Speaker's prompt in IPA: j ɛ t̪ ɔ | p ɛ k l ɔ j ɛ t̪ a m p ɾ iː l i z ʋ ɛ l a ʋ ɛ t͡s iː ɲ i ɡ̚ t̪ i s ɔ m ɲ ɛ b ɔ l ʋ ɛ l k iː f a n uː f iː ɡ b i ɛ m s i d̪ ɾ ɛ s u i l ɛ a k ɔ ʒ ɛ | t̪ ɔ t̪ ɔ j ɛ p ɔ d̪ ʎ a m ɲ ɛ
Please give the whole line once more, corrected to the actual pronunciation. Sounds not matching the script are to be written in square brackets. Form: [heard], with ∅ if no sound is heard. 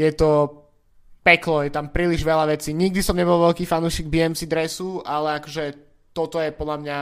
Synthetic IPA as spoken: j ɛ t̪ ɔ | p ɛ k l ɔ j ɛ t̪ a m p ɾ iː l i [ʒ] ʋ ɛ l a ʋ ɛ t͡s iː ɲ i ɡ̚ [d̪] i s ɔ m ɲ ɛ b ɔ l ʋ ɛ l k iː f a n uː [ʃ] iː ɡ b i ɛ m s i d̪ ɾ ɛ s u [a] l ɛ a k ɔ ʒ ɛ | t̪ ɔ t̪ ɔ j ɛ p ɔ d̪ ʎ a m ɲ [a]